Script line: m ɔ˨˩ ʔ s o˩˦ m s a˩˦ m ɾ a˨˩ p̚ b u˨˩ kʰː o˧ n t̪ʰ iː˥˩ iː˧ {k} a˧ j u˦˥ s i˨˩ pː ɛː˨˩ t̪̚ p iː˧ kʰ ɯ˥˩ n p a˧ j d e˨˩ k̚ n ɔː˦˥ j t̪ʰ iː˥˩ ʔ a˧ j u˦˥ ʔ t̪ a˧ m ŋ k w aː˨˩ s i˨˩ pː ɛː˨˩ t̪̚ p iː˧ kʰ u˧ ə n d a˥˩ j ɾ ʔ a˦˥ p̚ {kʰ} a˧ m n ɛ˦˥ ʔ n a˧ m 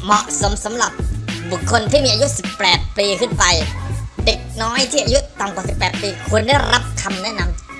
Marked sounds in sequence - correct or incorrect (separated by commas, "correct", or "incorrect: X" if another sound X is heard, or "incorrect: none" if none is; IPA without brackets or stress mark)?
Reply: incorrect: ʔ, correct